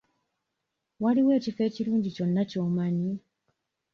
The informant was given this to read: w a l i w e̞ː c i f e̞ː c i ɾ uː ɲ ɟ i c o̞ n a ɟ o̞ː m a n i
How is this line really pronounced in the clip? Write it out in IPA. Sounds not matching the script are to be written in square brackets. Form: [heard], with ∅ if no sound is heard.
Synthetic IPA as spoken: w a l i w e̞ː c i f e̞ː c i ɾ uː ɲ ɟ i c o̞ [nː] a [c] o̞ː m a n i